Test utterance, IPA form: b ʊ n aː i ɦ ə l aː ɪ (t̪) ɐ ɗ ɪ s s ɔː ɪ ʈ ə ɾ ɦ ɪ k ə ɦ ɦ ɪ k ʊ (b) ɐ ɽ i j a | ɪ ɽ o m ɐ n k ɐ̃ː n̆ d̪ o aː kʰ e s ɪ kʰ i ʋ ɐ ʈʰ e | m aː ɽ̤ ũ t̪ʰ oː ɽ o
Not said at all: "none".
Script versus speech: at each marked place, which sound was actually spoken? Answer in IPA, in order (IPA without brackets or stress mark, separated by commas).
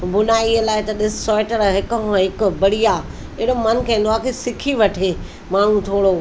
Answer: t̪, b